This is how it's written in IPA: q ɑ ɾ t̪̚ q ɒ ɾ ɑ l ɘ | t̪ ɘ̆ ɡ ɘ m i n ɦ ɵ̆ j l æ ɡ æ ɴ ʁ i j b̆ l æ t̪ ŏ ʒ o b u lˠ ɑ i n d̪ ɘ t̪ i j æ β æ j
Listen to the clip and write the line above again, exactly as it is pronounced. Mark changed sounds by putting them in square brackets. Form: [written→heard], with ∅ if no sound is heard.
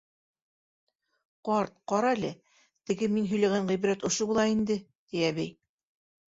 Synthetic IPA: q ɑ ɾ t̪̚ q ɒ ɾ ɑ l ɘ | t̪ ɘ̆ ɡ ɘ m i n ɦ ɵ̆ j l æ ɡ æ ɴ ʁ i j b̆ [l→ɾ] æ t̪ ŏ [ʒ→ʃ] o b u lˠ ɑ i n d̪ ɘ t̪ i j æ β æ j